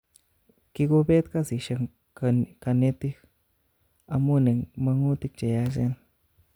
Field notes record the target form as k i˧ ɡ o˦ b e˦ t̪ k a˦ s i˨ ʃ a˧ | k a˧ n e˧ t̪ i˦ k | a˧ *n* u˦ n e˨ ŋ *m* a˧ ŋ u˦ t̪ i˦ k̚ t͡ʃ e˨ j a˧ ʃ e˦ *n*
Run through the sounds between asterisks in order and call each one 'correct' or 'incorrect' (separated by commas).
incorrect, correct, correct